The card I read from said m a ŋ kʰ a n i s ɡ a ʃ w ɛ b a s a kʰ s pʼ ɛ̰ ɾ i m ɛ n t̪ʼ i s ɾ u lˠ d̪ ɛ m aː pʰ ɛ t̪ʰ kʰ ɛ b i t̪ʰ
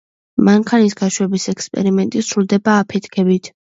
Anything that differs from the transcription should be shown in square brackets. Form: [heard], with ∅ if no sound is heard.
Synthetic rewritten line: m a ŋ kʰ a n i s ɡ a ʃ w ɛ b [i] s [ɛ] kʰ s pʼ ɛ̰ ɾ i m ɛ n t̪ʼ i s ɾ u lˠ d̪ ɛ [b] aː pʰ ɛ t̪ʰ kʰ ɛ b i t̪ʰ